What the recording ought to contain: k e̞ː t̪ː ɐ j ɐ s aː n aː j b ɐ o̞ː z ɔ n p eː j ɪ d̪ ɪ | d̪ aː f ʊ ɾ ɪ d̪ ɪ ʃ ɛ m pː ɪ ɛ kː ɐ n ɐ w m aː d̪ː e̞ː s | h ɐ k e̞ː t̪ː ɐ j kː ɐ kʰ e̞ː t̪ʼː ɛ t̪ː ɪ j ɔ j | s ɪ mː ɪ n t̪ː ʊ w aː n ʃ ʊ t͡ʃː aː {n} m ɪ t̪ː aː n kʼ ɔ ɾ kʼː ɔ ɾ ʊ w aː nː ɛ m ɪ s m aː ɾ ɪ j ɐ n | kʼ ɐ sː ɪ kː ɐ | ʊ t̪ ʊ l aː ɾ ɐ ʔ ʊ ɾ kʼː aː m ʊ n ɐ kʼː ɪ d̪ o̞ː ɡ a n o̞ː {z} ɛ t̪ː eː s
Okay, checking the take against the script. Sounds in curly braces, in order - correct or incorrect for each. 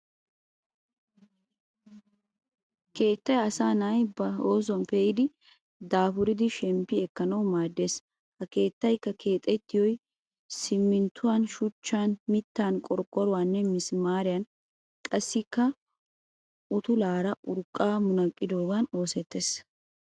correct, incorrect: s

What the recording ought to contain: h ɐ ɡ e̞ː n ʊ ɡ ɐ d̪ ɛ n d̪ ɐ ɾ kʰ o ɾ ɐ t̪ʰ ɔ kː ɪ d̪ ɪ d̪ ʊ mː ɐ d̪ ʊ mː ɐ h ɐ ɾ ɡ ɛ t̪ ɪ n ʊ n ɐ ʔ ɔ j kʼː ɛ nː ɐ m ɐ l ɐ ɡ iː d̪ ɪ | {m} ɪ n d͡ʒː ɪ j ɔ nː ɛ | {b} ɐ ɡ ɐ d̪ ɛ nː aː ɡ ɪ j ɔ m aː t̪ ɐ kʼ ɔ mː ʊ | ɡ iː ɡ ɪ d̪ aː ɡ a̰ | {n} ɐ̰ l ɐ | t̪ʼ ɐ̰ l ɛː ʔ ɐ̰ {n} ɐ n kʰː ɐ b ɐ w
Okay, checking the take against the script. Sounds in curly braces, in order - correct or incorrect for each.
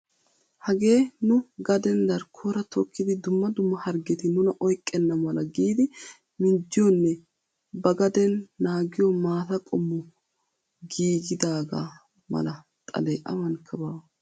correct, correct, incorrect: m, incorrect: m

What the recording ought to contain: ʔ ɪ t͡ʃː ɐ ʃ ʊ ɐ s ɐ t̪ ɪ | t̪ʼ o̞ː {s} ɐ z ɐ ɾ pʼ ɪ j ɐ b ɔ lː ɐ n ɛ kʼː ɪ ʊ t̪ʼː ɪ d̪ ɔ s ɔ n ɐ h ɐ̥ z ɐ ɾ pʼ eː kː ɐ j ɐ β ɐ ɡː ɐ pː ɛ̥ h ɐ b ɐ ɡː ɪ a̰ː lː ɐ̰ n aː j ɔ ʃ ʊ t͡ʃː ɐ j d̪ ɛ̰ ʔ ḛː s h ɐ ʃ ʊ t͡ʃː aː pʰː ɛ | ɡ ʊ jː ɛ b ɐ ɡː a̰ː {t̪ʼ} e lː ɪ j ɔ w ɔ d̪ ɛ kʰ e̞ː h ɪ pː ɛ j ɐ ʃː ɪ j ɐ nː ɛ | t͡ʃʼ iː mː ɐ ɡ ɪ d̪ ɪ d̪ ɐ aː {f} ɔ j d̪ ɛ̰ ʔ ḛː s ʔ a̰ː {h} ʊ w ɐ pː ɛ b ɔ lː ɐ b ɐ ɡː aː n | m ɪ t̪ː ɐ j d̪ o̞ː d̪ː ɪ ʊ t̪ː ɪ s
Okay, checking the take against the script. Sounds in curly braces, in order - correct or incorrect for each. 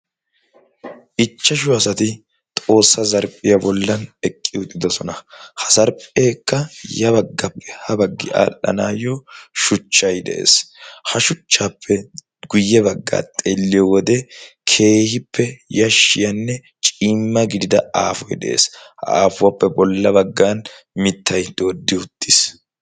incorrect: sː, correct, correct, incorrect: f

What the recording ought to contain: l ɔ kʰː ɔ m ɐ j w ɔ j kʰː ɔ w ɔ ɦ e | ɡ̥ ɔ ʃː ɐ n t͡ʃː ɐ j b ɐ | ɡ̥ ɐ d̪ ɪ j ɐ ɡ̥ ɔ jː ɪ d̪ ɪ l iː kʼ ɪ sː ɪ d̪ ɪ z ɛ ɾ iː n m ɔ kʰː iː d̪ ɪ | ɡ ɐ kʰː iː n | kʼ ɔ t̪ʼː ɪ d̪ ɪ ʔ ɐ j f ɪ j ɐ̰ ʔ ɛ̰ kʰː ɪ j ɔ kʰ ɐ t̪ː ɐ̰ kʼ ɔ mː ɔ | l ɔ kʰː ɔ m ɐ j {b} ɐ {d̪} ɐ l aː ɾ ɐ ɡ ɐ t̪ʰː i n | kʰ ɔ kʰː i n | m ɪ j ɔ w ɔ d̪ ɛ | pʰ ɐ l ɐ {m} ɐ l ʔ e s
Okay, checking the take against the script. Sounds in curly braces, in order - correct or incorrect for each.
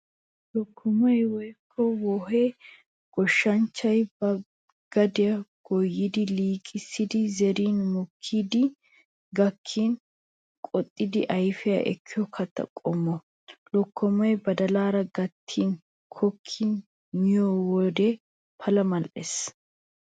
correct, correct, correct

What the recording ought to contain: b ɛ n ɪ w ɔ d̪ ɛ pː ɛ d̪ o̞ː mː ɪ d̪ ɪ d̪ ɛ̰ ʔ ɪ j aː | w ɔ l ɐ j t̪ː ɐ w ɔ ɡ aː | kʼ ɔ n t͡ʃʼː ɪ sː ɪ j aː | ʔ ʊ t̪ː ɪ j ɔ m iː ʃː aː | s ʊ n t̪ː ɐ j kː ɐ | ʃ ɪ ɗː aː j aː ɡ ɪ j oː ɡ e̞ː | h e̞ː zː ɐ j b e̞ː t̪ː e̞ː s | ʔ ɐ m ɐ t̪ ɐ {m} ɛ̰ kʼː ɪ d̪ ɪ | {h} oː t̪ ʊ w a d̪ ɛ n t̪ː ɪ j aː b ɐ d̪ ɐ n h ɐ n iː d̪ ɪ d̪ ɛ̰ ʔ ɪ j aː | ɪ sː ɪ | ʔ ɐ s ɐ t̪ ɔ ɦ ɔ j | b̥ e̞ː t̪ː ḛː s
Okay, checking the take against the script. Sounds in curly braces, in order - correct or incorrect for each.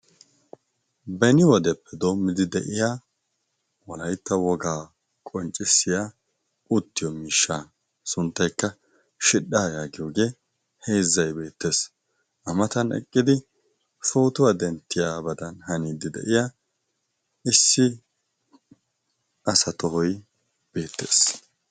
incorrect: n, incorrect: f

